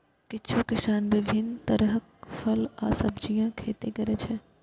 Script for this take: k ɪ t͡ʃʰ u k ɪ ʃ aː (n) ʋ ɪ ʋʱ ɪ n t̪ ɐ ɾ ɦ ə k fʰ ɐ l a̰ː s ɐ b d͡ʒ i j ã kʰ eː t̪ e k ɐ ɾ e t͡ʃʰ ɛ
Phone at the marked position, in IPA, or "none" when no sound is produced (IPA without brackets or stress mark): n